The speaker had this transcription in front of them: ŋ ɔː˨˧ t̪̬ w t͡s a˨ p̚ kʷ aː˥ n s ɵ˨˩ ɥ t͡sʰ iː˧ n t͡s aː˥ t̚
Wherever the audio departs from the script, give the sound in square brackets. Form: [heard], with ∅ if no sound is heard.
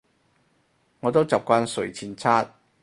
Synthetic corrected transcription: ŋ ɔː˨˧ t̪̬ w t͡s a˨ p̚ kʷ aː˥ n s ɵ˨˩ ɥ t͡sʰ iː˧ n [t͡sʰ] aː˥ t̚